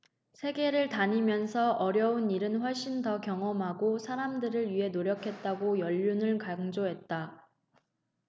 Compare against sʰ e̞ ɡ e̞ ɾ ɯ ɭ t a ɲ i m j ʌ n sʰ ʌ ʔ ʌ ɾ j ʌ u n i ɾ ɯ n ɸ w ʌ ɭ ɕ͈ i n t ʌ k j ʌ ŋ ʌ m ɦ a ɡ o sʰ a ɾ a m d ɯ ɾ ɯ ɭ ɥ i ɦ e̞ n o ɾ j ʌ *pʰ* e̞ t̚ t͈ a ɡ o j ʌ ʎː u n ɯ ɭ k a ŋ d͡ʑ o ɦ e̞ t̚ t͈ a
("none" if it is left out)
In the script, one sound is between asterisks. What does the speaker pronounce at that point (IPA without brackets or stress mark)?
kʰ